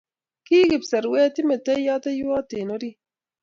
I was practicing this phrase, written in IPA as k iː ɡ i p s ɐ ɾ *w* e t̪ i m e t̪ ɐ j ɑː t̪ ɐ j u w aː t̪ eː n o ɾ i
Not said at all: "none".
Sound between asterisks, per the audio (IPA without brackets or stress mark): w